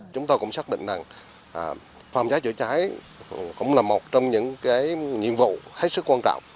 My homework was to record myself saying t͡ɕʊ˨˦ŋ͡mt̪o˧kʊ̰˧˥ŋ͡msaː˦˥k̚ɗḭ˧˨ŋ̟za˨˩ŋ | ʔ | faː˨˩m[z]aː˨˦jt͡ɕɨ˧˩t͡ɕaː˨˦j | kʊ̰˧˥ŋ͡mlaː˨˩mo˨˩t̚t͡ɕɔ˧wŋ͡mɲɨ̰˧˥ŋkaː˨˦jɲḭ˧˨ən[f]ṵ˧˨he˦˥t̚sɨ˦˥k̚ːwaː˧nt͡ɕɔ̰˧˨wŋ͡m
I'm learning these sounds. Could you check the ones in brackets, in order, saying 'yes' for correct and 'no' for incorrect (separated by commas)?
yes, no